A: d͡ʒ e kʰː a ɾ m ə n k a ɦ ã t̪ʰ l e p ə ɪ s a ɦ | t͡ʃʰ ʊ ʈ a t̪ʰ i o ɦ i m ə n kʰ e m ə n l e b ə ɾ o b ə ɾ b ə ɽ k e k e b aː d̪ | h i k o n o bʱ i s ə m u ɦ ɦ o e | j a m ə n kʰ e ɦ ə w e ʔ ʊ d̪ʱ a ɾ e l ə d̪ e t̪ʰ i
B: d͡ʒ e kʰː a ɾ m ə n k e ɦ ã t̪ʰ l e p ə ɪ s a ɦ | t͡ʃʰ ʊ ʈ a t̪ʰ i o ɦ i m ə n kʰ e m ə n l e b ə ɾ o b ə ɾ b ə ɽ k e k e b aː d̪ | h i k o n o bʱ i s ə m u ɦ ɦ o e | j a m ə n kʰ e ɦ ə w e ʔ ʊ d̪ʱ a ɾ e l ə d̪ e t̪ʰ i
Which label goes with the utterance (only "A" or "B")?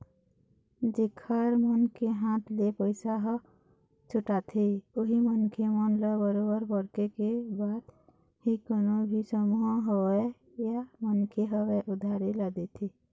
B